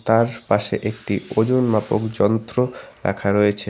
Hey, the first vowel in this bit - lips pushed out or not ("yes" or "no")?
no